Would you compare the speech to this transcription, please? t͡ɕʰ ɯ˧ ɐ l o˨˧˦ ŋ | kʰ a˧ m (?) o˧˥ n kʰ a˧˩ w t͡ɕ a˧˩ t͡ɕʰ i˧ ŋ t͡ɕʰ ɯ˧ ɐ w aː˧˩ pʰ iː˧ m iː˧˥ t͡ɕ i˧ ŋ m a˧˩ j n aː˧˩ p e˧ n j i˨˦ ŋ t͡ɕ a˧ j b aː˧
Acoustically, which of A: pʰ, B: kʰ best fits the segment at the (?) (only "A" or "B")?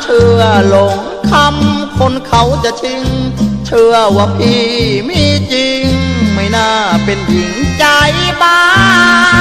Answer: B